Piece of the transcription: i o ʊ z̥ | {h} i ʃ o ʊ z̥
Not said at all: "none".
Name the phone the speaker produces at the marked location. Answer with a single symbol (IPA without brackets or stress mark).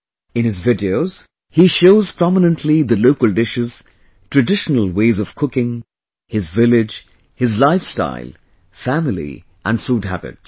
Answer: h